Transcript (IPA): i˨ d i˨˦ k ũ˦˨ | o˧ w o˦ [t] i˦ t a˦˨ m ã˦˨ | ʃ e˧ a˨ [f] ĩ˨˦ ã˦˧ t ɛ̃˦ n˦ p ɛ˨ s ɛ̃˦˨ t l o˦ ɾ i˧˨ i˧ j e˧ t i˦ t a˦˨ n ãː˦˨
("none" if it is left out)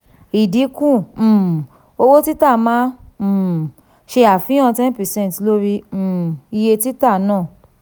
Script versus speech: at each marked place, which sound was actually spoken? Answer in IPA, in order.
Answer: t, f

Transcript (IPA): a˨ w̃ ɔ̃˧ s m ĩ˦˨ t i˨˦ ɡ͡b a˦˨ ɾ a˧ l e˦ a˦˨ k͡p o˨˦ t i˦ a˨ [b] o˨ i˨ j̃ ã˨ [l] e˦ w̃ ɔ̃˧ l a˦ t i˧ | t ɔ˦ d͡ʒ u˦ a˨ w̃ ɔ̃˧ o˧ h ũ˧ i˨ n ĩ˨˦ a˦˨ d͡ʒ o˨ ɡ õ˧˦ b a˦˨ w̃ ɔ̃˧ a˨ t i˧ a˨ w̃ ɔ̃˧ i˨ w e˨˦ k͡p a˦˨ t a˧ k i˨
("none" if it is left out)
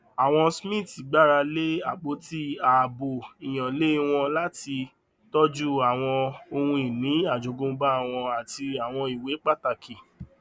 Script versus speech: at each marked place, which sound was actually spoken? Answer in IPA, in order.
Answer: b, l

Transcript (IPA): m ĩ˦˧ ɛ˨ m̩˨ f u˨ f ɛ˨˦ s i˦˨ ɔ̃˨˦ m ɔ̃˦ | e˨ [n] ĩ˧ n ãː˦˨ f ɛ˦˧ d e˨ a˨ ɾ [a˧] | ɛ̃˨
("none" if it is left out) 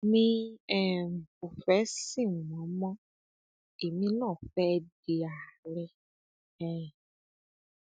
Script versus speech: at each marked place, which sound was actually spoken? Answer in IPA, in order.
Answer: m, ɛ˧

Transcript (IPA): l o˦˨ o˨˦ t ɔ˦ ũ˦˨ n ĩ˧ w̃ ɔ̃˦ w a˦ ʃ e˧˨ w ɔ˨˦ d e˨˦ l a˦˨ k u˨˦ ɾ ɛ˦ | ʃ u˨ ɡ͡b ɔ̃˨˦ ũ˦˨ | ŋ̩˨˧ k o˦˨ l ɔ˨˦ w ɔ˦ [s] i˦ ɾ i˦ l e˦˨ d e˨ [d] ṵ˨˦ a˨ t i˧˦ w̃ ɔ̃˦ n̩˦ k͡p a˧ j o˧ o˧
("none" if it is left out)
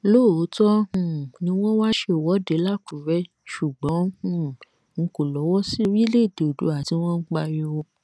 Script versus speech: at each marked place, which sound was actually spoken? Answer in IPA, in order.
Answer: s, d

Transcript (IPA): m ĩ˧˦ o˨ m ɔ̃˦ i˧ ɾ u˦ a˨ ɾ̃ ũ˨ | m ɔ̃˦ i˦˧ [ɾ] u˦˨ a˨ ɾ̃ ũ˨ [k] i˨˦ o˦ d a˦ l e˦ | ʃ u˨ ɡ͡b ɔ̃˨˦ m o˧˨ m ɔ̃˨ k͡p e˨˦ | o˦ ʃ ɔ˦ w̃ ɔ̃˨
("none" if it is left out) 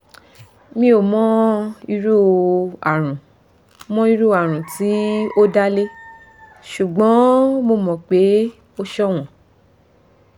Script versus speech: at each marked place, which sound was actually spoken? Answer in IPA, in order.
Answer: ɾ, t

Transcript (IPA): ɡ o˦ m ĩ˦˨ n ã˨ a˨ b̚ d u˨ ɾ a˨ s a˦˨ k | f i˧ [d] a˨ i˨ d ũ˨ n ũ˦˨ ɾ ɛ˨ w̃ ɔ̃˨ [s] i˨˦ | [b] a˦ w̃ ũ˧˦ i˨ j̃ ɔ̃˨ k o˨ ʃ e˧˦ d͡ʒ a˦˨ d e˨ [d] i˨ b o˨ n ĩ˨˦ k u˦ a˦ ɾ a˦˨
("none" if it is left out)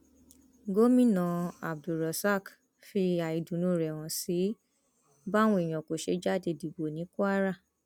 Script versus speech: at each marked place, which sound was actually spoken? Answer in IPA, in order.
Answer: none, s, b, d

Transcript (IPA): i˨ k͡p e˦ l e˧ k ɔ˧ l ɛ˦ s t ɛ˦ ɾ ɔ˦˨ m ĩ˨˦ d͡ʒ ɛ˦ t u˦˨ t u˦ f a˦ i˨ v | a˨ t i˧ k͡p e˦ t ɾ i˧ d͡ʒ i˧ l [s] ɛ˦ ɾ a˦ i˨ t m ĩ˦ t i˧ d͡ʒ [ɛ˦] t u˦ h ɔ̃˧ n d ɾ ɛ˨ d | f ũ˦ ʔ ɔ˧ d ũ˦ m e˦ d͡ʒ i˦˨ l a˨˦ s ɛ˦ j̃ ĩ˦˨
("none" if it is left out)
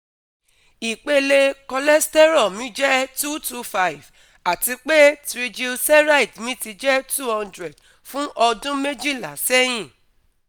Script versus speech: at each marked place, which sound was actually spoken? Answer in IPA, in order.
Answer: s, ɛ˦

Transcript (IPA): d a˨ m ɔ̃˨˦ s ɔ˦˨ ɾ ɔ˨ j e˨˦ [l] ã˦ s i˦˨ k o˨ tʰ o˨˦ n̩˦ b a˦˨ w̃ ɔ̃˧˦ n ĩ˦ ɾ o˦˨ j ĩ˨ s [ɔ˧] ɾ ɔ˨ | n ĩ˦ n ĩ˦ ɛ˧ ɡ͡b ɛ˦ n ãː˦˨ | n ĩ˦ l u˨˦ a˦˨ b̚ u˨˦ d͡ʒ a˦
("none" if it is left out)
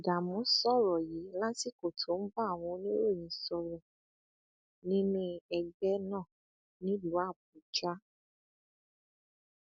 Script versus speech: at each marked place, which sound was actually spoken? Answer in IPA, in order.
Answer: l, ɔ˧

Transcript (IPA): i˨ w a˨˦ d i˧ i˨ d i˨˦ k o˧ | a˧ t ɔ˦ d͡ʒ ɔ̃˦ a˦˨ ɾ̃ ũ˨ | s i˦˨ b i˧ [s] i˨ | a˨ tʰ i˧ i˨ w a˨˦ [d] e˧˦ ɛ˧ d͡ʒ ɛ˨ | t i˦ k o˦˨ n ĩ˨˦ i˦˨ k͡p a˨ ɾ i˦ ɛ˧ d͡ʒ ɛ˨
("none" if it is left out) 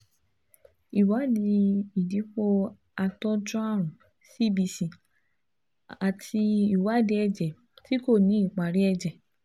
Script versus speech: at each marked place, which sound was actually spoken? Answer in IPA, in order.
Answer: s, d

